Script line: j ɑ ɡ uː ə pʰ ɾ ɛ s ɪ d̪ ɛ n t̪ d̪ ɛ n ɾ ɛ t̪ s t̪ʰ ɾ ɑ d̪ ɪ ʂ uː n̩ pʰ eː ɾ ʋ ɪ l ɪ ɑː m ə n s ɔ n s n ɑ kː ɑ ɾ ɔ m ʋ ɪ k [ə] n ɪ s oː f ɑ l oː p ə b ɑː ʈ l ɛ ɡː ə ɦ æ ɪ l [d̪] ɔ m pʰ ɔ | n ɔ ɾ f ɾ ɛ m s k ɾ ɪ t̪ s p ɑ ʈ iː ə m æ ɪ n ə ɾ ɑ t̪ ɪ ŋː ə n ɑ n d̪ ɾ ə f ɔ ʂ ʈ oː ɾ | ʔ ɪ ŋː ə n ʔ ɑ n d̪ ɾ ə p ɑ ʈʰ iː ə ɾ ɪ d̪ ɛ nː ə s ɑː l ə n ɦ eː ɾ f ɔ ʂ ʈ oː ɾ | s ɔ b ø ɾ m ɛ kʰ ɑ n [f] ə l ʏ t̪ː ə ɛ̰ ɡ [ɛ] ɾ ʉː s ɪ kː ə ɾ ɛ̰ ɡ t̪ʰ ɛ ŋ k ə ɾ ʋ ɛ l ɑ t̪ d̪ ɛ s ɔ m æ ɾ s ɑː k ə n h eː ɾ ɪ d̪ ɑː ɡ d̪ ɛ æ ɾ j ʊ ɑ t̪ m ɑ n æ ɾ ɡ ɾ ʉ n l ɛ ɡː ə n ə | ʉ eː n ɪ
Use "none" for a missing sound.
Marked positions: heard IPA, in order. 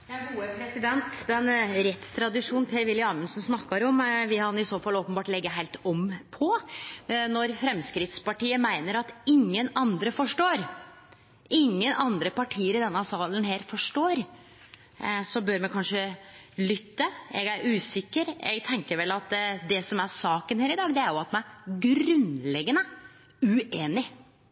ɑ, t̪, ʂ, æ

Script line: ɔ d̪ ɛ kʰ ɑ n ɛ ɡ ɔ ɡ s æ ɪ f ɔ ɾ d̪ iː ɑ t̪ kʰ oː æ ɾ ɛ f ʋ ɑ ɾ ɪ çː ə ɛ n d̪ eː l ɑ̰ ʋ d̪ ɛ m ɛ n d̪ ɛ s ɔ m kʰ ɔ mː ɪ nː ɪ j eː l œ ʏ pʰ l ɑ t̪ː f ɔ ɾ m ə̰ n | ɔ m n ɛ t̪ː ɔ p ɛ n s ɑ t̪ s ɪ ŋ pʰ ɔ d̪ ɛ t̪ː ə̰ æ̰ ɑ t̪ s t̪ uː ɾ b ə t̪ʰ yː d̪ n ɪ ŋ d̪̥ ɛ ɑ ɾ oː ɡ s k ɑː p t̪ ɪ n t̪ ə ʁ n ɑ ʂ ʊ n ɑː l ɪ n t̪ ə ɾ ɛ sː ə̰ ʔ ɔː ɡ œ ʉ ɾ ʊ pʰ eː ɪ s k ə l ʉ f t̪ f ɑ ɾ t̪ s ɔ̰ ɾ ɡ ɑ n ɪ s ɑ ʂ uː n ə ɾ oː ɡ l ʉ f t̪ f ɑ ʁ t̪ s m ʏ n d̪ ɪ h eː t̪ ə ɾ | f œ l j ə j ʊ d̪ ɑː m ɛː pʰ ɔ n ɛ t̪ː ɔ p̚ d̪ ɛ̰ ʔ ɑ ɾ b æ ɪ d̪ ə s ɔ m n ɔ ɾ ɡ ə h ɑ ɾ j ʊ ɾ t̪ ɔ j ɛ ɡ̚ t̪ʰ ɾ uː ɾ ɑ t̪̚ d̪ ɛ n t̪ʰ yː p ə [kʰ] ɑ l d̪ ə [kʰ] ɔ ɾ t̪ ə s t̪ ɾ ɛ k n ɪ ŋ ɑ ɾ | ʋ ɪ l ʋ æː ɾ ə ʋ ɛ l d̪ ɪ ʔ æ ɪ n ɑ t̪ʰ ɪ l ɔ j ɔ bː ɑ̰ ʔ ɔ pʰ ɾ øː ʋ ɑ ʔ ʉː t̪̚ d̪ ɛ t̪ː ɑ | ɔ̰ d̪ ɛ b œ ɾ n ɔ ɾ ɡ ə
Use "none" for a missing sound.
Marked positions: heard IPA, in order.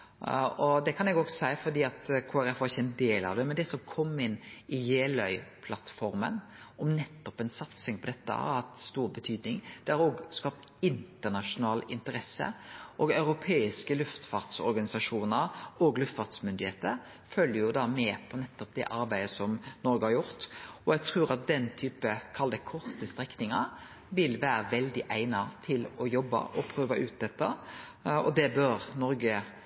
kʰ, kʰ

